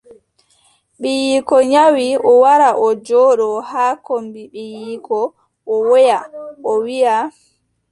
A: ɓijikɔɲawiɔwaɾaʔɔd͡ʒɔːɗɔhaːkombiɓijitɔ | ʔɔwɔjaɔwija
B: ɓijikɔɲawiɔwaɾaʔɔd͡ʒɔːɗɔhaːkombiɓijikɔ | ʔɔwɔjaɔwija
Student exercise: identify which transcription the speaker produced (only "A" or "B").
B